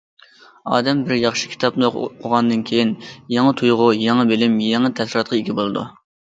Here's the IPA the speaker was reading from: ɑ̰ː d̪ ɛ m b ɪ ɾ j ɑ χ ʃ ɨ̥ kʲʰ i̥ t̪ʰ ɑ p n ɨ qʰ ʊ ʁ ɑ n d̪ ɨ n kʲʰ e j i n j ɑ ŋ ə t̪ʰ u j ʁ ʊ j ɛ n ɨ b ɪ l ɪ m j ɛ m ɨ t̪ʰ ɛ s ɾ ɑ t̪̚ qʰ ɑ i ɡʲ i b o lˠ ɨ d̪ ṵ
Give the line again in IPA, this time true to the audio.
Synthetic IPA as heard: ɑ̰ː d̪ ɛ m b ɪ ɾ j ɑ χ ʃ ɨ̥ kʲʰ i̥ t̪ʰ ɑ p n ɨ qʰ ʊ ʁ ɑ n d̪ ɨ n kʲʰ e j i n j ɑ ŋ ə t̪ʰ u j ʁ ʊ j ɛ ŋ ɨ b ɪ l ɪ m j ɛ ŋ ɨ t̪ʰ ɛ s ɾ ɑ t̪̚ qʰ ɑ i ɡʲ i b o lˠ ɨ d̪ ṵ

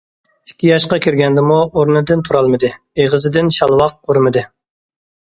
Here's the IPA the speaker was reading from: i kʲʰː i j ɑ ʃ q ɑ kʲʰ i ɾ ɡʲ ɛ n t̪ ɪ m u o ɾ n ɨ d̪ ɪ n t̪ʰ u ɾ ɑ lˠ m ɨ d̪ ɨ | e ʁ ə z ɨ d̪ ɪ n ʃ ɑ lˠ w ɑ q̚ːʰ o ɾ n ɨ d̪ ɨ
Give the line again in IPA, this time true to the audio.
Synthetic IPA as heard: i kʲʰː i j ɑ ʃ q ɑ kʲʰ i ɾ ɡʲ ɛ n d̪ ɪ m u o ɾ n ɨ d̪ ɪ n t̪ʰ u ɾ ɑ lˠ m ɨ d̪ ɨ | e ʁ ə z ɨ d̪ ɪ n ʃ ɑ lˠ w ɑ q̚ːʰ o ɾ m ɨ d̪ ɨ

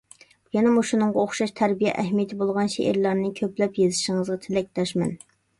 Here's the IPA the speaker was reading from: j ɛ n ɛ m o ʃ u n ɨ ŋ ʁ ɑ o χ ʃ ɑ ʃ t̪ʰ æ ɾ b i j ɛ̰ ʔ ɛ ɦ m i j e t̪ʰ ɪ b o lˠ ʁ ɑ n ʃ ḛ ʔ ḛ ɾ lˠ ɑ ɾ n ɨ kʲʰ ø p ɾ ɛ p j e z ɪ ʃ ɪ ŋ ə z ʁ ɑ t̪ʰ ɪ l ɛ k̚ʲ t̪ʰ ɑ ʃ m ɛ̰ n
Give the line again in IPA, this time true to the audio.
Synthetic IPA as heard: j ɛ n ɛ m u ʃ u n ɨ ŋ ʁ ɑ o χ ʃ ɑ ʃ t̪ʰ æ ɾ b i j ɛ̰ ʔ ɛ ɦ m i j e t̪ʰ ɪ b o lˠ ʁ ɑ n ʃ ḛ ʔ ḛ ɾ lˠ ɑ ɾ n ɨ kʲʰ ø p l ɛ p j e z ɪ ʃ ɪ ŋ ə z ʁ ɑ t̪ʰ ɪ l ɛ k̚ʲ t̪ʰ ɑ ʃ m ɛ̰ n

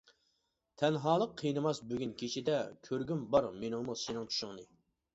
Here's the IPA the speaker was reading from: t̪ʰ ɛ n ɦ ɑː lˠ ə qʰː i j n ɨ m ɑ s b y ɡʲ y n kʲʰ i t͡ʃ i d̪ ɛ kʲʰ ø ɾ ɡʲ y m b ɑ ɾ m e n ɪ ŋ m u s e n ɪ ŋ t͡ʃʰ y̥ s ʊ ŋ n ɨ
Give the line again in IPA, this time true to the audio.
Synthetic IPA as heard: t̪ʰ ɛ n ɦ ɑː lˠ ə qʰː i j n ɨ m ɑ s b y ɡʲ y n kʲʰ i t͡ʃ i d̪ ɛ kʲʰ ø ɾ ɡʲ y m b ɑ ɾ m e n ɪ ŋ m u s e n ɪ ŋ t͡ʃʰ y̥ ʃ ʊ ŋ n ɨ

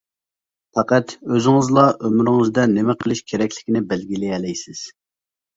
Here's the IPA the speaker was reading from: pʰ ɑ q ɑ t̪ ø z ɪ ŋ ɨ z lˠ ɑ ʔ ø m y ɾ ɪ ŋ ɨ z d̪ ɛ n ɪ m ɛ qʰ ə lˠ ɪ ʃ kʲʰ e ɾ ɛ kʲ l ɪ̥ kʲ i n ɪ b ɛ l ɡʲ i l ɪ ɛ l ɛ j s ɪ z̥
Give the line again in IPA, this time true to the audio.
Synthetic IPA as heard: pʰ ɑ q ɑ t̪ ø z ɪ ŋ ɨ z lˠ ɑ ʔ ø m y ɾ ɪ ŋ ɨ z d̪ ɛ n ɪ m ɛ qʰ ə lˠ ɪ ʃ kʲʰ e ɾ ɛ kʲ l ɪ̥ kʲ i n ɪ b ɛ l ɡʲ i l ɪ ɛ l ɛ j s ɪ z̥

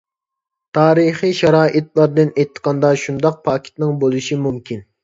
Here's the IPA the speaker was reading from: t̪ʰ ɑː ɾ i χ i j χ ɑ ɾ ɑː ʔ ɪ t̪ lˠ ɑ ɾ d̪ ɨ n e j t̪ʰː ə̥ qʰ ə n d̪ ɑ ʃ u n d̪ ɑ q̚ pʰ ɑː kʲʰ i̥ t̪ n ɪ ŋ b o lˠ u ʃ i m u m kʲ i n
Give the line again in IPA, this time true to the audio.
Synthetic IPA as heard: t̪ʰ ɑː ɾ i χ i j ʃ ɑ ɾ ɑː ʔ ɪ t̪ lˠ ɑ ɾ d̪ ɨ n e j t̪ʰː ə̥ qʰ ɑ n d̪ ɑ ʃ u n d̪ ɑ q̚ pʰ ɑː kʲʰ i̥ t̪ n ɪ ŋ b o lˠ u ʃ i m u m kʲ i n

